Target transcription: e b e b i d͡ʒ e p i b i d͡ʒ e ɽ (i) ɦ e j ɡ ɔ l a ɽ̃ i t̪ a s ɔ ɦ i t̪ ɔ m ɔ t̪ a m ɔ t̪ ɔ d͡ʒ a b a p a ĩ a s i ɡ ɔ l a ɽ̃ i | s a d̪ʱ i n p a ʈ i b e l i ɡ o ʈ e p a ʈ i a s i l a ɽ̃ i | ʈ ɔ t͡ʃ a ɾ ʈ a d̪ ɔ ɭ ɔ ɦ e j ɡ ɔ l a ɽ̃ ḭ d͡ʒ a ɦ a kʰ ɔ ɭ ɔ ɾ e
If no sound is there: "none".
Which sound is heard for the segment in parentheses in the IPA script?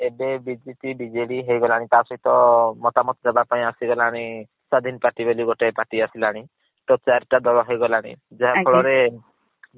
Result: i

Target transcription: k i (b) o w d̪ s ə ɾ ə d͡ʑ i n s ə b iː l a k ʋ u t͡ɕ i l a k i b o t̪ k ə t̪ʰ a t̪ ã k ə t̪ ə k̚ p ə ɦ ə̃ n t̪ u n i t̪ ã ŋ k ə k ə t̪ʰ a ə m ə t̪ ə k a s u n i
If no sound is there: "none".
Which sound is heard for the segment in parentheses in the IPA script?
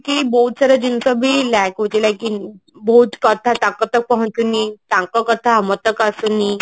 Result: b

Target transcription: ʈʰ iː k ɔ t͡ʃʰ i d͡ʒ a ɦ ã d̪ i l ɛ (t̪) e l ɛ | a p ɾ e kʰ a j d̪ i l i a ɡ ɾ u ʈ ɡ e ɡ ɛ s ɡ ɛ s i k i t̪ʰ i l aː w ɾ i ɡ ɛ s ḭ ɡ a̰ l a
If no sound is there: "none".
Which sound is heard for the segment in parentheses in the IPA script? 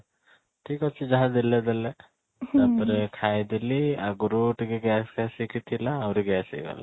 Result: d̪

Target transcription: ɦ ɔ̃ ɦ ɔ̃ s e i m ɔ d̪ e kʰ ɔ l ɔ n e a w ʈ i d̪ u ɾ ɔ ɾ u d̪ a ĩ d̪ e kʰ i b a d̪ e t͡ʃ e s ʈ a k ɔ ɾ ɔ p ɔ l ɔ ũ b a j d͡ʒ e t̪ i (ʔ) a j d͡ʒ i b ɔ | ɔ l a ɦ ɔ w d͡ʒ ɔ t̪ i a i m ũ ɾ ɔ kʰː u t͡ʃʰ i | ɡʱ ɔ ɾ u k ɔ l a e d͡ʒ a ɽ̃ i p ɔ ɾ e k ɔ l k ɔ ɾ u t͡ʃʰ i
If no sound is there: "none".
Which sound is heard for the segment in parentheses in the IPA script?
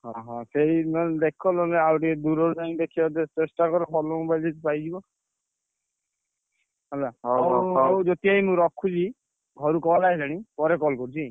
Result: p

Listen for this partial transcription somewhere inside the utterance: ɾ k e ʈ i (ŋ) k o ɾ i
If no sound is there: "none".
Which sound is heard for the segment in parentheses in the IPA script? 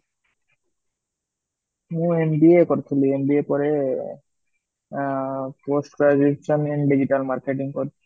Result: ŋ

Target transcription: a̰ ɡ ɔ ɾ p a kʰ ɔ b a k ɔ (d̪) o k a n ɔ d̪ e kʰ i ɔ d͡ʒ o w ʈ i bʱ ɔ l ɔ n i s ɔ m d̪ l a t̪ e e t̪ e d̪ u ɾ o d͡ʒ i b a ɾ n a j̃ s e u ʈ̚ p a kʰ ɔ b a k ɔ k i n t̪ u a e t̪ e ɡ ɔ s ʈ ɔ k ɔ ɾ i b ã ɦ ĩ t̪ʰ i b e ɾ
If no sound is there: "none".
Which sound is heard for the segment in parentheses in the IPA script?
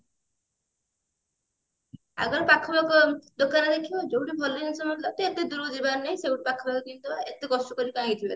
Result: d̪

